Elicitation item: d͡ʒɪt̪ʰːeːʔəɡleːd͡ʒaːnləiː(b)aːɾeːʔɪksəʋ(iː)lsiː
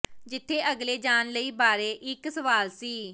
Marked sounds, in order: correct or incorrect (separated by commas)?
correct, incorrect